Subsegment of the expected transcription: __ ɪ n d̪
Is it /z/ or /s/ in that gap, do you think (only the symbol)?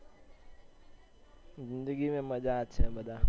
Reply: z